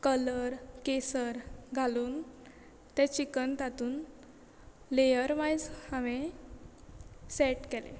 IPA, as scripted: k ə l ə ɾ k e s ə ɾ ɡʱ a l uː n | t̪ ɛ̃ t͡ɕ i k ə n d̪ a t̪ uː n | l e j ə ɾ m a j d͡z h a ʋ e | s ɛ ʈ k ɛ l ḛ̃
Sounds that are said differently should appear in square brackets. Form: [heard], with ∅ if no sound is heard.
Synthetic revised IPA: k ə l ə ɾ k e s ə ɾ ɡʱ a l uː n | t̪ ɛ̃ t͡ɕ i k ə n [t̪] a t̪ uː n | l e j ə ɾ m a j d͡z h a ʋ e | s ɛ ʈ k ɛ l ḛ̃